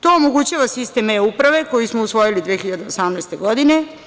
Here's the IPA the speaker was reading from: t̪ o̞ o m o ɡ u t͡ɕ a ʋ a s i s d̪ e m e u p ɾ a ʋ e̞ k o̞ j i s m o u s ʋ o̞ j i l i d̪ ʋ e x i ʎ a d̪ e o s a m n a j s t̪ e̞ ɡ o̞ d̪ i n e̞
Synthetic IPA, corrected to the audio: t̪ o̞ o m o ɡ u t͡ɕ a ʋ a s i s t̪ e m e u p ɾ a ʋ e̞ k o̞ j i s m o u s ʋ o̞ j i l i d̪ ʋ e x i ʎ a d̪ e o s a m n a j s t̪ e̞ ɡ o̞ d̪ i n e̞